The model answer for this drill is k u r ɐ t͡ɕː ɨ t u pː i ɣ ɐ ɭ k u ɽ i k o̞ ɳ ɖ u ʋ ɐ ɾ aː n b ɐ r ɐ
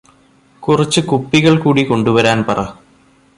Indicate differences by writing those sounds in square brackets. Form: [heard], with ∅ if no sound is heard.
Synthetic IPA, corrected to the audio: k u r ɐ t͡ɕː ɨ [k] u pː i ɣ ɐ ɭ k [uː] ɽ i k o̞ ɳ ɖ u ʋ ɐ ɾ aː n [p] ɐ r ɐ

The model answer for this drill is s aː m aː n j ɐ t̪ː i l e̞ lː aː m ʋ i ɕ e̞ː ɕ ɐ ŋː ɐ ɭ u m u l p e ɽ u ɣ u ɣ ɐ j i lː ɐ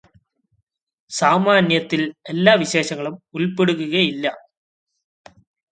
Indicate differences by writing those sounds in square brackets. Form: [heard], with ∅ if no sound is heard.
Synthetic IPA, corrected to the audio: s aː m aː n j ɐ t̪ː i l e̞ lː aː [∅] ʋ i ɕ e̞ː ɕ ɐ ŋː ɐ ɭ u m u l p e ɽ u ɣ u ɣ ɐ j i lː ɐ

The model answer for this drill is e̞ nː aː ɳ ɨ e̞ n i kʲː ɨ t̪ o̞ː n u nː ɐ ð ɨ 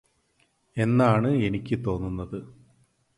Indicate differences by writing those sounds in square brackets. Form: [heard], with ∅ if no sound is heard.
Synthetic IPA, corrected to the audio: e̞ nː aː ɳ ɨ e̞ n i kʲː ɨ t̪ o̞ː [nː] u nː ɐ ð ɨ

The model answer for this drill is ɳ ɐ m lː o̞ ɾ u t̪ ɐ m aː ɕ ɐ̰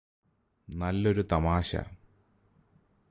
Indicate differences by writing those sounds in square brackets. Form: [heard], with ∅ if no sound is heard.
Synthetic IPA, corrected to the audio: [n] ɐ [∅] lː o̞ ɾ u t̪ ɐ m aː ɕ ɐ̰

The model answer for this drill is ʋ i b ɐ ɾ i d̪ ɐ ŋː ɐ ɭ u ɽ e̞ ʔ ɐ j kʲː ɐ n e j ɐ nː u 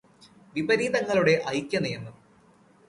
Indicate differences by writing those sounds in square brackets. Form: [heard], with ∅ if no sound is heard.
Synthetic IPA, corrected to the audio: ʋ i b ɐ ɾ [iː] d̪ ɐ ŋː ɐ ɭ u ɽ e̞ ʔ ɐ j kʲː ɐ n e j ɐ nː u

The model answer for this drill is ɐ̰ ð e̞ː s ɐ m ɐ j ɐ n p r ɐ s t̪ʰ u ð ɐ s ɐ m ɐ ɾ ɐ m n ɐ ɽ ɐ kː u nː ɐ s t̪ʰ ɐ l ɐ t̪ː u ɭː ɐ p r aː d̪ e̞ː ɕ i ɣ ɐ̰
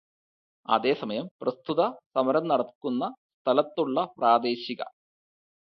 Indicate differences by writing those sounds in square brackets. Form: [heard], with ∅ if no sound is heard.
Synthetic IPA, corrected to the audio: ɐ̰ ð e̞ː s ɐ m ɐ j ɐ [m] p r ɐ s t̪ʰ u ð ɐ s ɐ m ɐ ɾ ɐ m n ɐ ɽ ɐ kː u nː ɐ s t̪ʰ ɐ l ɐ t̪ː u ɭː ɐ p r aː d̪ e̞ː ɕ i ɣ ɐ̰

